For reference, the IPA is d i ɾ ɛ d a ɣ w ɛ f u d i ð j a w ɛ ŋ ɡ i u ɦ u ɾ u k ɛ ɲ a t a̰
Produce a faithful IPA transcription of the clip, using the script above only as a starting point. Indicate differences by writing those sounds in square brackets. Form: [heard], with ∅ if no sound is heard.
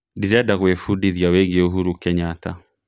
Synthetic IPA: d i ɾ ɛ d a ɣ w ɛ f u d i ð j a w ɛ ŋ ɡ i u ɦ u ɾ u k ɛ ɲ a t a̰